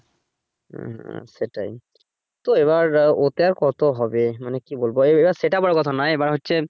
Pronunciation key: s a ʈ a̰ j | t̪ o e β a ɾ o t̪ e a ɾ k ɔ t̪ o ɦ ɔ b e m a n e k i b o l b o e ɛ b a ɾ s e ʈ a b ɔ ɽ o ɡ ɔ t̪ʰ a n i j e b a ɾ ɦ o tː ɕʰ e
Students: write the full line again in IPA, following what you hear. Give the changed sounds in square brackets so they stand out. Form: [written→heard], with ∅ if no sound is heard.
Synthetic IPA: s [a→e] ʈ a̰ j | t̪ o e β a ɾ o t̪ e a ɾ k ɔ t̪ o ɦ ɔ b e m a n e k i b o l b o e [ɛ→e] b a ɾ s e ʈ a b ɔ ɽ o [ɡ→k] ɔ t̪ʰ a n [i→a] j e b a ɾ ɦ o tː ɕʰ e